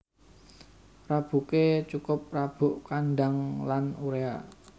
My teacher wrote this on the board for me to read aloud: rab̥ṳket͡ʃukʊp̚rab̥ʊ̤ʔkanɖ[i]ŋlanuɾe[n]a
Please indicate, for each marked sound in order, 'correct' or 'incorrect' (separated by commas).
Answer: incorrect, incorrect